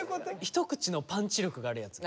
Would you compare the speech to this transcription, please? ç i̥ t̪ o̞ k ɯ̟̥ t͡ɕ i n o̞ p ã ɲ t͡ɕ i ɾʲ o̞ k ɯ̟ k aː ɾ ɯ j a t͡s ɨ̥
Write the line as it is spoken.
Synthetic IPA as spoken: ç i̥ t̪ o̞ k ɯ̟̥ t͡ɕ i n o̞ p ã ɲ t͡ɕ i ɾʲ o̞ k ɯ̟ ɡ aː ɾ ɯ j a t͡s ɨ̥